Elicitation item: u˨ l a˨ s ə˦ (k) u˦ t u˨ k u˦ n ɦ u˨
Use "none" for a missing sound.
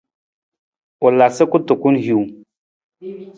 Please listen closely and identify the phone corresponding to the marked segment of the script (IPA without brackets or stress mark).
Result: k